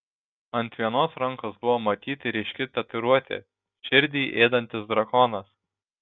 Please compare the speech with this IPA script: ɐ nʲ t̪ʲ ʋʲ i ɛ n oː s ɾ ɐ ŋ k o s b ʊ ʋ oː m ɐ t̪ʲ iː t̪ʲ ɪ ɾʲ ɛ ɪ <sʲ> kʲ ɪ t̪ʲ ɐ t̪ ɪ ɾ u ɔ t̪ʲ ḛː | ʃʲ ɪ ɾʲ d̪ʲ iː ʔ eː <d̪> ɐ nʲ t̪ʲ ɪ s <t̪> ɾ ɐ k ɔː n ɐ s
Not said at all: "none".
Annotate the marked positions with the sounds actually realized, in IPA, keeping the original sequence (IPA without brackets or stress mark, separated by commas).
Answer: ʃʲ, d̪, d̪